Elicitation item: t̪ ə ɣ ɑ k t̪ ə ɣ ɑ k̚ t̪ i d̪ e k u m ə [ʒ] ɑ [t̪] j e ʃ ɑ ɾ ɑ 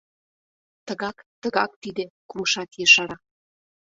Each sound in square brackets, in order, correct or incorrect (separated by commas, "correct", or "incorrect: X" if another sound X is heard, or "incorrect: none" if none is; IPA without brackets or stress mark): incorrect: ʃ, correct